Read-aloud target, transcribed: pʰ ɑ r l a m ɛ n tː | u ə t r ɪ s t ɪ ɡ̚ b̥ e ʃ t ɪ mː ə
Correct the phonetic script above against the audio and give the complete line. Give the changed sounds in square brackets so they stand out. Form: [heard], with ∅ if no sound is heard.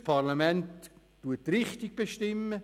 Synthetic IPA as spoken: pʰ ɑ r l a m ɛ n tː | u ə t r ɪ [χ] t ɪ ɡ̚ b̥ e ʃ t ɪ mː ə